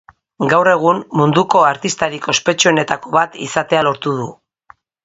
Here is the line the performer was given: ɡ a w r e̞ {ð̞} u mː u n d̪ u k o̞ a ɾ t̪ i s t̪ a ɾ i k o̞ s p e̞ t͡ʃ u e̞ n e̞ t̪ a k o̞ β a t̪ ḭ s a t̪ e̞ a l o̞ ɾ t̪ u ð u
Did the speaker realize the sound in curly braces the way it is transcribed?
no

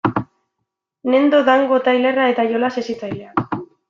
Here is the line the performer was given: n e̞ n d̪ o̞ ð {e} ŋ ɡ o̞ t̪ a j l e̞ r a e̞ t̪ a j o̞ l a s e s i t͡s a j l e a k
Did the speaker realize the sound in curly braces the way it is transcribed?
no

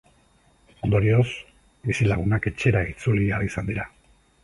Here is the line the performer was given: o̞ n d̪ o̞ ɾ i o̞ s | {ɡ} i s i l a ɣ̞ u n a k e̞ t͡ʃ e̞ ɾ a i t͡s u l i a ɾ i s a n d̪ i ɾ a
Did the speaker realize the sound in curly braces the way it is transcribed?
no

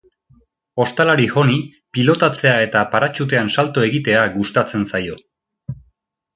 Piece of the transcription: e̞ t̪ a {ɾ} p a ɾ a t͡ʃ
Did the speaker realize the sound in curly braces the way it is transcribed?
no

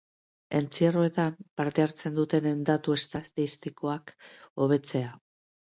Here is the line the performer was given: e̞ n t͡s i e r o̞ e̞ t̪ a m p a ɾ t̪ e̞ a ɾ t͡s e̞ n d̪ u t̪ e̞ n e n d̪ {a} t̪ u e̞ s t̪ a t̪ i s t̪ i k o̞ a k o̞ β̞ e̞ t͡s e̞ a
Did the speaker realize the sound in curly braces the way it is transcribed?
yes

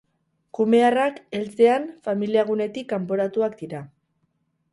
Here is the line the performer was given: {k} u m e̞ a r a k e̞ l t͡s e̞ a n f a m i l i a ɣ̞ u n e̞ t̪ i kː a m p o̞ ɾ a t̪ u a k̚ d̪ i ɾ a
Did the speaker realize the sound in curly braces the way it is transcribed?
yes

